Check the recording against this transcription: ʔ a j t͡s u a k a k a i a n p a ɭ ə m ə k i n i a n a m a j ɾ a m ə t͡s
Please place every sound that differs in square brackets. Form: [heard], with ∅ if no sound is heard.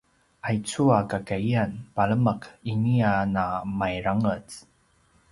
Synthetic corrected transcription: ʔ a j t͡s u a k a k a i a n p a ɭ ə m ə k i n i a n a m a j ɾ a [ŋ] ə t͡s